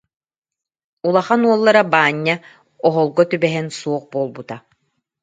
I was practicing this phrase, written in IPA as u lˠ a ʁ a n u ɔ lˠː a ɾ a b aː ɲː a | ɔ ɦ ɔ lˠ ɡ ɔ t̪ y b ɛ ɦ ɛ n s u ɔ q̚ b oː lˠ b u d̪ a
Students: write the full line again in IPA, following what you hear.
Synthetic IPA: u lˠ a χ a n u ɔ lˠː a ɾ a b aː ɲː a | ɔ ɦ ɔ lˠ ɡ ɔ t̪ y b ɛ ɦ ɛ n s u ɔ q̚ b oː lˠ b u t̪ a

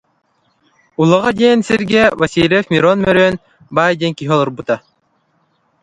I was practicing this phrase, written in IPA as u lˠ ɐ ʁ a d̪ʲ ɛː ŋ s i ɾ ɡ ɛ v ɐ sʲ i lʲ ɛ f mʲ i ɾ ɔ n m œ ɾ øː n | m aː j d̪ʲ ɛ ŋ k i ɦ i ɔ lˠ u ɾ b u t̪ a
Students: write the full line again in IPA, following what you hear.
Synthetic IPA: u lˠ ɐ ʁ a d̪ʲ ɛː n s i ɾ ɡ ɛ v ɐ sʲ i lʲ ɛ f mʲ i ɾ ɔ n m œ ɾ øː n | b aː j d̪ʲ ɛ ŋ k i ɦ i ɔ lˠ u ɾ b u t̪ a

